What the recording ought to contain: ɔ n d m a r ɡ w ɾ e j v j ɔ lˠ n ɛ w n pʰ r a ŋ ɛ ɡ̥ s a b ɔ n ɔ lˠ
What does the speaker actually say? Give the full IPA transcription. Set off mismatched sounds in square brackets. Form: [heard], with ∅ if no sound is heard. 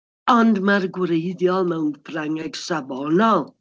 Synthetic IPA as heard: ɔ n d m a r ɡ w ɾ e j [ð] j ɔ lˠ [m] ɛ w n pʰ r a ŋ ɛ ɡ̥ s a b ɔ n ɔ lˠ